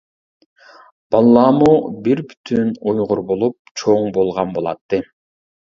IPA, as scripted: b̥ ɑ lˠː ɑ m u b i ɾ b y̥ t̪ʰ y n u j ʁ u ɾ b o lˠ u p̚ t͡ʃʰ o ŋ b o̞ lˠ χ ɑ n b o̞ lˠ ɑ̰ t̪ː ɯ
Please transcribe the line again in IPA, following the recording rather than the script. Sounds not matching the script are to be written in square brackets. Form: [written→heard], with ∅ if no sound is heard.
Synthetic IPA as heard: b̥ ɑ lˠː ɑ m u b i ɾ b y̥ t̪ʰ y n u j ʁ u ɾ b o lˠ u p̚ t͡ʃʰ o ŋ b o̞ lˠ [χ→ʁ] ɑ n b o̞ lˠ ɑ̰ t̪ː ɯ